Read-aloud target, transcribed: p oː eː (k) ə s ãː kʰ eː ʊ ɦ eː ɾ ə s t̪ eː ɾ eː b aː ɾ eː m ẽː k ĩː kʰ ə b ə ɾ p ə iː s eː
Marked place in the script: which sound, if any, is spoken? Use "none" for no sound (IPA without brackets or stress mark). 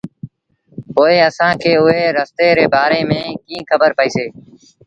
none